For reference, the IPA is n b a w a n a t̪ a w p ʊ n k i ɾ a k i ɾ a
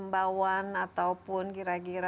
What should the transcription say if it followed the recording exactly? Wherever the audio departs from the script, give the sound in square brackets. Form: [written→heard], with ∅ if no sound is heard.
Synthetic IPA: [n→m] b a w a n a t̪ a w p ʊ n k i ɾ a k i ɾ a